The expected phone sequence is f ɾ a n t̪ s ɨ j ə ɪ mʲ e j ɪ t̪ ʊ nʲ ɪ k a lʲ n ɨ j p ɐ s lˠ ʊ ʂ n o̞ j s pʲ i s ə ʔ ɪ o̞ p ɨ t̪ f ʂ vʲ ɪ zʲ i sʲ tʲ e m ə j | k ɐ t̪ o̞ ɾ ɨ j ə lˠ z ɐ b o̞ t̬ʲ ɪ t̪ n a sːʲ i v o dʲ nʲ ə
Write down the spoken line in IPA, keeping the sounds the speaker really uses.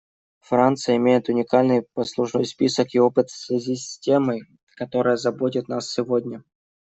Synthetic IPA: f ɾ a n t̪ s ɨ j ə ɪ mʲ e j ɪ t̪ ʊ nʲ ɪ k a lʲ n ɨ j p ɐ s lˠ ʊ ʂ n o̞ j s pʲ i s ə k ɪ o̞ p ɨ t̪ f s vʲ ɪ zʲ i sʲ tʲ e m ə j | k ɐ t̪ o̞ ɾ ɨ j ə z ɐ b o̞ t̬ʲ ɪ t̪ n a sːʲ ɪ v o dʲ nʲ ə